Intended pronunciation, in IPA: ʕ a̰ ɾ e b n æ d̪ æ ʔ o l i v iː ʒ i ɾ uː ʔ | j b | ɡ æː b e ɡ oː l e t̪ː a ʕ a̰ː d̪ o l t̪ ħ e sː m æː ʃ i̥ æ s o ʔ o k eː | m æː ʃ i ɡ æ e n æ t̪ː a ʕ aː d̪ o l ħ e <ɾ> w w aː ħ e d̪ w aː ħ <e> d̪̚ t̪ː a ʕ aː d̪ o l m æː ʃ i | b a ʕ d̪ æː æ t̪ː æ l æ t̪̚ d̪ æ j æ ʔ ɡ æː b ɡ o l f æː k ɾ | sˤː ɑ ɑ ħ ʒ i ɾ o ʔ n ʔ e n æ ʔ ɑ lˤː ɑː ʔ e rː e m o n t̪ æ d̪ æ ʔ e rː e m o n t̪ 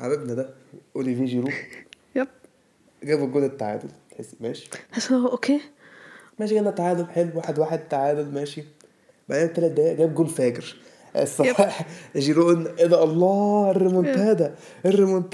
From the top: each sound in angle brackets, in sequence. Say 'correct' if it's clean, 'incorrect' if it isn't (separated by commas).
incorrect, correct